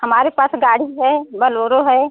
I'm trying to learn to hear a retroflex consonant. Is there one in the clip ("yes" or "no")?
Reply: yes